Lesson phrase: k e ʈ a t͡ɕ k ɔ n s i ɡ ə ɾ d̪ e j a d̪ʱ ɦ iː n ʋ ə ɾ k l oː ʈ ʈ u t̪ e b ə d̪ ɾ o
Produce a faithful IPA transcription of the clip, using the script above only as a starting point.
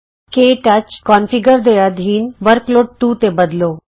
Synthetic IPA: k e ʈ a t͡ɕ k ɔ n f i ɡ ə ɾ d̪ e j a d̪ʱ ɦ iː n ʋ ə ɾ k l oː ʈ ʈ u t̪ e b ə d̪ l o